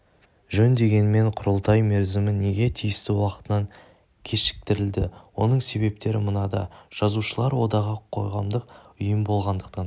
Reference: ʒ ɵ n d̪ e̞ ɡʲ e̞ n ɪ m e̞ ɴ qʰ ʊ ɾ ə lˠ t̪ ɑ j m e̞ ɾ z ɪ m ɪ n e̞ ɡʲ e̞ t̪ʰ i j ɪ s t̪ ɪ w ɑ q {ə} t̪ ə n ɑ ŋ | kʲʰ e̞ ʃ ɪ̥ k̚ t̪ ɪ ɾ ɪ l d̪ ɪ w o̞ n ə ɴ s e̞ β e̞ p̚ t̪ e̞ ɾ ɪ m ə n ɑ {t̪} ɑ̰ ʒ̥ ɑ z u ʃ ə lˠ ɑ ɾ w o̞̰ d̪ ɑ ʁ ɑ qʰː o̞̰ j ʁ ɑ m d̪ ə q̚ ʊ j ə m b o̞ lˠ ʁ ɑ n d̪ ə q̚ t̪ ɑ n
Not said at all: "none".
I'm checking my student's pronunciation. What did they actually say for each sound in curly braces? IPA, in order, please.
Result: ə, d̪

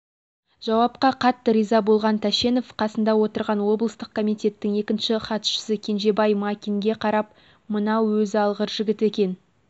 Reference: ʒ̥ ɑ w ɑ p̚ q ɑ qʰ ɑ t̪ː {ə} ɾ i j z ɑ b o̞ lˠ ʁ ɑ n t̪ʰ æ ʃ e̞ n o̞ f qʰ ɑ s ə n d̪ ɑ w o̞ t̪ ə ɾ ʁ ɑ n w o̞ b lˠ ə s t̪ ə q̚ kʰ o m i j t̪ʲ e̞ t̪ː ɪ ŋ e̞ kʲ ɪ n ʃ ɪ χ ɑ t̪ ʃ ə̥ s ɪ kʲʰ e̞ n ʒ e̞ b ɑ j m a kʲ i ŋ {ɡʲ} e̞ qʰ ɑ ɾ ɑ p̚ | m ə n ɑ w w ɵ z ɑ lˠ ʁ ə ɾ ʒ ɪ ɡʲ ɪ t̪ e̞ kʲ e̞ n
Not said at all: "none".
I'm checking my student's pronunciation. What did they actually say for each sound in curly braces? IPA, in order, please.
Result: ə, ɡʲ

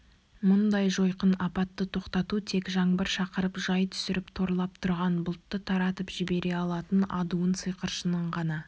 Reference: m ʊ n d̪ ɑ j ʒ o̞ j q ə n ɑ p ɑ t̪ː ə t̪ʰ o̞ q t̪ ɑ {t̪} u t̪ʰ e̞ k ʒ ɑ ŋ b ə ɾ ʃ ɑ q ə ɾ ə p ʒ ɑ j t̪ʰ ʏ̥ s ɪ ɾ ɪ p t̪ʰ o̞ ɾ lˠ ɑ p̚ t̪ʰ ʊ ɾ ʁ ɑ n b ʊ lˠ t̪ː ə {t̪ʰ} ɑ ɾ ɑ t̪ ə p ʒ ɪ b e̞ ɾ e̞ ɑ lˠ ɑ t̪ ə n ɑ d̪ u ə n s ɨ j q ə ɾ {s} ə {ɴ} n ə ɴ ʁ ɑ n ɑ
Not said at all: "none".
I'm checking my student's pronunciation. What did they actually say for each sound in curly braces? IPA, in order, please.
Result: t̪, t̪ʰ, ʃ, none

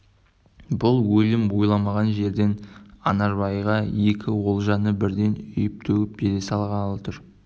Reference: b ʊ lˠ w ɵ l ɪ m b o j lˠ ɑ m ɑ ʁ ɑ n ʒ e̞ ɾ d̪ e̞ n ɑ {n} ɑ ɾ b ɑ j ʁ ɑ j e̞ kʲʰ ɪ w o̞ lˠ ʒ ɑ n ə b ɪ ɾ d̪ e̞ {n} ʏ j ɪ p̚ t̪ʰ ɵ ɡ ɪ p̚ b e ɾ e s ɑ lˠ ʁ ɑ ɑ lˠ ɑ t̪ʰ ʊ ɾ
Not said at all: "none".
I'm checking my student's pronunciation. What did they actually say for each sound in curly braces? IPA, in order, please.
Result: n, n

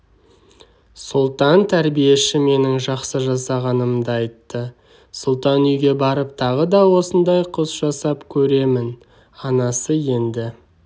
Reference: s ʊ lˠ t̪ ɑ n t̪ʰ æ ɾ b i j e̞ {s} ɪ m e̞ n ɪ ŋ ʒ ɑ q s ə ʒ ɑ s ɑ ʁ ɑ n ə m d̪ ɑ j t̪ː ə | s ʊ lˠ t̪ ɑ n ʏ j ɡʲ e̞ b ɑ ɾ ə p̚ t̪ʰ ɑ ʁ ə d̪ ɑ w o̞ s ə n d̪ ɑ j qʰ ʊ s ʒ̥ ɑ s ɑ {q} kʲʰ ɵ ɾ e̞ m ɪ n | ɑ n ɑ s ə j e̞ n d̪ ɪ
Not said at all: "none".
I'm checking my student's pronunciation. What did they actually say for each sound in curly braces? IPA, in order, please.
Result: ʃ, p

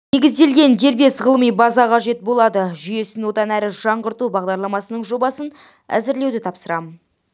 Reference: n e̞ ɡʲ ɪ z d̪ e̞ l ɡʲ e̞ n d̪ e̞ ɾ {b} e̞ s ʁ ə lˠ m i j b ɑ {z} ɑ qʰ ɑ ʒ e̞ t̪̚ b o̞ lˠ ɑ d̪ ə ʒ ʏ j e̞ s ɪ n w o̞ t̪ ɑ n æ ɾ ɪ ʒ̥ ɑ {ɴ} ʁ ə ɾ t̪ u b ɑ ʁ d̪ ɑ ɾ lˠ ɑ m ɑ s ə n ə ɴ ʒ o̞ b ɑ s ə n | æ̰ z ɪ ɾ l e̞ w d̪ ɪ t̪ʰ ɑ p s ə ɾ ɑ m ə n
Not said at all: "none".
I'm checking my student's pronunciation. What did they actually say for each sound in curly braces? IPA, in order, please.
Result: b, z, ɴ

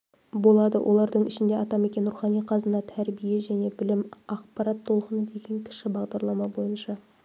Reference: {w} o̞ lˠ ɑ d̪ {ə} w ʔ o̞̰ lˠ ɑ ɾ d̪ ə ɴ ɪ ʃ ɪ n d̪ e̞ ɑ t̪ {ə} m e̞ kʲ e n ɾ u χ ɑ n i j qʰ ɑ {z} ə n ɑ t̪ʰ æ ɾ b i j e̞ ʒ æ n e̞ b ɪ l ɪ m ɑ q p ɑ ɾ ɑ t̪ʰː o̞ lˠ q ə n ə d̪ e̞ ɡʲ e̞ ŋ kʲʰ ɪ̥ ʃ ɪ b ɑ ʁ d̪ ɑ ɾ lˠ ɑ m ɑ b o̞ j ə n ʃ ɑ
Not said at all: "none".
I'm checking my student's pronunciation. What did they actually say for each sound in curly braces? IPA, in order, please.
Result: b, ə, ɑ, z

